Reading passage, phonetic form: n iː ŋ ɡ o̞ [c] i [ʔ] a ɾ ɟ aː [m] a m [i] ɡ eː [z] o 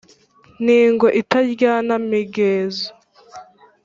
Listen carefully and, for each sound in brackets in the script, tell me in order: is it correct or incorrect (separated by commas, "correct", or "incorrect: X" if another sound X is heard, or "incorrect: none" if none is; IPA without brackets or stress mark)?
incorrect: ʔ, incorrect: t, incorrect: n, correct, correct